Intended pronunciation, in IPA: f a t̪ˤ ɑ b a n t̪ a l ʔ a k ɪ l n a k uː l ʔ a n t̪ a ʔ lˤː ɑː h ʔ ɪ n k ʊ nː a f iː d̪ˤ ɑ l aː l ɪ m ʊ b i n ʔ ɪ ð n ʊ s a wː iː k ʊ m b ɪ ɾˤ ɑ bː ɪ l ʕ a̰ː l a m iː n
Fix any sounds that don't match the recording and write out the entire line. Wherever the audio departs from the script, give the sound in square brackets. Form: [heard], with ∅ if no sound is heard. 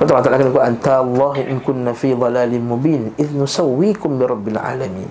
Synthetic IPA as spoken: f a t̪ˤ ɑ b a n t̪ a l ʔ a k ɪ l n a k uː l ʔ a n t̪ a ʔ lˤː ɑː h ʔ ɪ n k ʊ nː a f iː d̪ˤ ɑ l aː l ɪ m ʊ b [iː] n ʔ ɪ ð n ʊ s a wː iː k ʊ m b ɪ ɾˤ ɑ bː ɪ l ʕ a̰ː l a m iː n